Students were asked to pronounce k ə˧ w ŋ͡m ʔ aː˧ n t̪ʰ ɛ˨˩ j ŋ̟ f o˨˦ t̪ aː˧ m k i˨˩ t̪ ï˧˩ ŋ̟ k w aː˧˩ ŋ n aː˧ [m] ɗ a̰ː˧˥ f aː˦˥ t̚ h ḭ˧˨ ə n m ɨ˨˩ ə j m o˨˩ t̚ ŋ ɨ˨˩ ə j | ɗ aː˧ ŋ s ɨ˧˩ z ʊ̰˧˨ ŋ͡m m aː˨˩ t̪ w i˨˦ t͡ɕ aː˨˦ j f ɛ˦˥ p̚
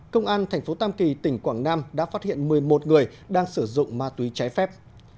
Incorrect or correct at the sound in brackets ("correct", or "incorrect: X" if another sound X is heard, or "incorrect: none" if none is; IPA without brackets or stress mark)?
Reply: correct